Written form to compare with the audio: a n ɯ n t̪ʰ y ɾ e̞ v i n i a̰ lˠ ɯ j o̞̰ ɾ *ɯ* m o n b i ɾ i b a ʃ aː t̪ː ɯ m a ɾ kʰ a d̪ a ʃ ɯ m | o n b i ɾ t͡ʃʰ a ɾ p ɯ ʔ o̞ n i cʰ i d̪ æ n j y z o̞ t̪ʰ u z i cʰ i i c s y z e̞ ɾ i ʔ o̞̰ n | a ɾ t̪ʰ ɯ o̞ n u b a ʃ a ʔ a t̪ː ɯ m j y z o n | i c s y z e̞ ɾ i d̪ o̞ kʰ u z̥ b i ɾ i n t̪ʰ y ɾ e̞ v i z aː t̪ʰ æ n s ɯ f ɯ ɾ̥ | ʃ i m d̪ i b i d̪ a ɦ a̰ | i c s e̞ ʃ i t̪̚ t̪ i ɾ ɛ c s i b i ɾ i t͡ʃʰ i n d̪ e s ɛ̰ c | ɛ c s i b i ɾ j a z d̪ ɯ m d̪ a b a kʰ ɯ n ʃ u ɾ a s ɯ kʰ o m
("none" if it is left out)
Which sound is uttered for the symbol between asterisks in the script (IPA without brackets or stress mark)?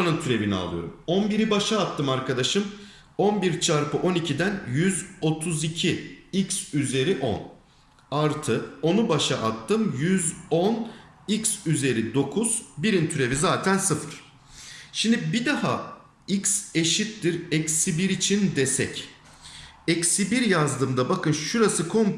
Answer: u